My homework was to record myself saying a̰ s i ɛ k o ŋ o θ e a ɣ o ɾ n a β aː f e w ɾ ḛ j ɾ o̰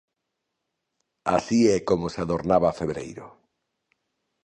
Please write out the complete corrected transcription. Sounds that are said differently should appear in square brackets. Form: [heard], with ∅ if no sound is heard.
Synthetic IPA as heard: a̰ s i ɛ k o [m] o [s] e a [ð] o ɾ n a β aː f e [β] ɾ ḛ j ɾ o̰